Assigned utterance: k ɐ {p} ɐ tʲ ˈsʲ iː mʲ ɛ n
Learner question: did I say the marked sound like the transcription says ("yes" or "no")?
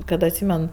no